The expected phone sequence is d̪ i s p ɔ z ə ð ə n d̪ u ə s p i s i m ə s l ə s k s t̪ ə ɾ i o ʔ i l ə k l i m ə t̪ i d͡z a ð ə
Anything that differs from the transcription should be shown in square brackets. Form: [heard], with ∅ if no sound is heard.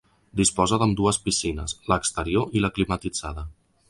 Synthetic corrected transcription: d̪ i s p ɔ z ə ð ə [m] d̪ u ə s p i s i [n] ə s l ə [∅] k s t̪ ə ɾ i o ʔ i l ə k l i m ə t̪ i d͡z a ð ə